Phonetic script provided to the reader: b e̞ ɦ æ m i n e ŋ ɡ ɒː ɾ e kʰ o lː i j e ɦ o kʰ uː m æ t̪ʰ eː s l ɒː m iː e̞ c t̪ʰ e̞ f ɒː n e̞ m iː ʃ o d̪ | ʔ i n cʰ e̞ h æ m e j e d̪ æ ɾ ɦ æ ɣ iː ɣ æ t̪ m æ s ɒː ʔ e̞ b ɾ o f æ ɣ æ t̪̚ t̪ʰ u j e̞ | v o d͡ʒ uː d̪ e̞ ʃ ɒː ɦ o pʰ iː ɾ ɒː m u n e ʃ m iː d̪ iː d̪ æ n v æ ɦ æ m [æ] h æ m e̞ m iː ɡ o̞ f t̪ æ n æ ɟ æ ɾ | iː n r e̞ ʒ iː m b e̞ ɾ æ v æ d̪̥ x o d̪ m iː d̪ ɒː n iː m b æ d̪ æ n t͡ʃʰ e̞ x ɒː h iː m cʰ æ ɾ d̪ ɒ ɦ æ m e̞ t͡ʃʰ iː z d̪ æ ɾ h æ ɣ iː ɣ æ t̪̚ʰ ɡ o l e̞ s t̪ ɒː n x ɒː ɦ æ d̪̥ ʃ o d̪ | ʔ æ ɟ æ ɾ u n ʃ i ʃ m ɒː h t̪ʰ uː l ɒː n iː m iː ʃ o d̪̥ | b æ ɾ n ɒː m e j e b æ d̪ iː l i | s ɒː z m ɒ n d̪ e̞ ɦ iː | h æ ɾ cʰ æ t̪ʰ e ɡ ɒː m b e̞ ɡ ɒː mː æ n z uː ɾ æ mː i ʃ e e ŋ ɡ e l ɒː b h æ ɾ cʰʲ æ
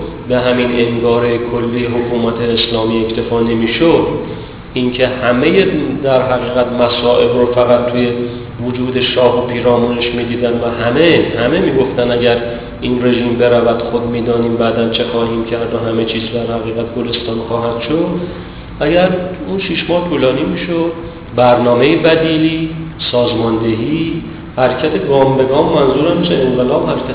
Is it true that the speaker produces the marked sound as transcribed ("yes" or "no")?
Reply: no